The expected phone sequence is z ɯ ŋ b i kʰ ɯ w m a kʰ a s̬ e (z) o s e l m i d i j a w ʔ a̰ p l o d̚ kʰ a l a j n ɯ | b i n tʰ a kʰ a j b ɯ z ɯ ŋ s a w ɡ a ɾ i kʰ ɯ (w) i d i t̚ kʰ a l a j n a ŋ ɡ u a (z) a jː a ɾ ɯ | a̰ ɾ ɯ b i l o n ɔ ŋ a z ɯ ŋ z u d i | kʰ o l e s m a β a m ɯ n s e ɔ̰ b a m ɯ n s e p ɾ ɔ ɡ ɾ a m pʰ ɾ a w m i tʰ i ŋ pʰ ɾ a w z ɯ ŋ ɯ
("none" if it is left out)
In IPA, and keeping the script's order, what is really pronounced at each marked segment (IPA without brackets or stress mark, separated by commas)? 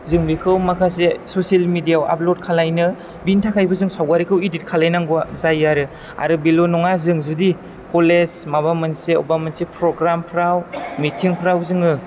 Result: s, w, z